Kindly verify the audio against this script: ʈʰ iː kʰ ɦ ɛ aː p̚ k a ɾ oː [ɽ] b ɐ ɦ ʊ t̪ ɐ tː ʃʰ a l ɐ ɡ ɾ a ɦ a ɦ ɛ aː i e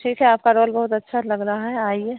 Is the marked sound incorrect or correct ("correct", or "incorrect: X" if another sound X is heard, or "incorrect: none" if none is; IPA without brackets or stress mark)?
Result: incorrect: l